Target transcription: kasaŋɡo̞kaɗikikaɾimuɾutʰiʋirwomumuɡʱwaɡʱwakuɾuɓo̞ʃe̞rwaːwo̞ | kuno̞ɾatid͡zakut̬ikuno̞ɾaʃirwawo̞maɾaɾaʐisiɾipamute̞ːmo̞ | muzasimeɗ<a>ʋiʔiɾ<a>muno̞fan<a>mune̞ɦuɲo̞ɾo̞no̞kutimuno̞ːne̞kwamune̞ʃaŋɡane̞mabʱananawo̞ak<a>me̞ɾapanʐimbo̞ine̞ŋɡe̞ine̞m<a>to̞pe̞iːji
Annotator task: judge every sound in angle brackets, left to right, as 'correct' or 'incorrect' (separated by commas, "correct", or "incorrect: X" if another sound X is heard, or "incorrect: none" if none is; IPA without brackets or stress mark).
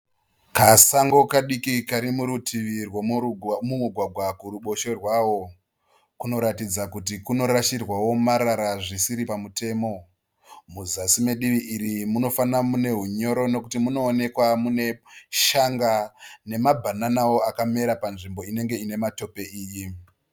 incorrect: i, incorrect: i, correct, correct, correct